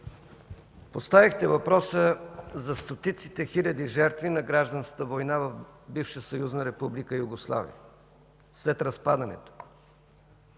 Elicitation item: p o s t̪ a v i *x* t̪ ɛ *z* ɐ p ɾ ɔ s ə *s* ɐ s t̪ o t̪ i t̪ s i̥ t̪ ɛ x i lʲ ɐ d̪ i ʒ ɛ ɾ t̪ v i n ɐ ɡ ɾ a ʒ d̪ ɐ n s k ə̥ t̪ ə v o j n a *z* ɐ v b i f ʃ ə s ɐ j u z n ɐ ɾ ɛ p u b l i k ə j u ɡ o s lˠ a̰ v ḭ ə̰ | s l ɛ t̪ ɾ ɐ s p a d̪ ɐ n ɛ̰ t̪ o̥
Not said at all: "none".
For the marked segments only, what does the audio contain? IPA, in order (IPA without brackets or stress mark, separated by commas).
x, v, z, v